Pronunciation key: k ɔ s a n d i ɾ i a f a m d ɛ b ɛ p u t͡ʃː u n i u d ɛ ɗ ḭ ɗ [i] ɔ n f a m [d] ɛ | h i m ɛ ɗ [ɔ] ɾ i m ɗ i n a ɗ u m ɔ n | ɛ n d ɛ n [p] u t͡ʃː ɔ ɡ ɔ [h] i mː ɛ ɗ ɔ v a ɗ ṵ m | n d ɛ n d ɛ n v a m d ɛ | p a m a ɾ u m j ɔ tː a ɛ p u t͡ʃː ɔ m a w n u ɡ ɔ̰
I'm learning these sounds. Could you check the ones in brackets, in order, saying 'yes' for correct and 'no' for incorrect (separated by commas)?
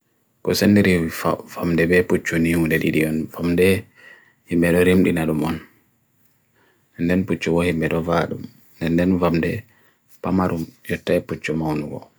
yes, yes, yes, yes, yes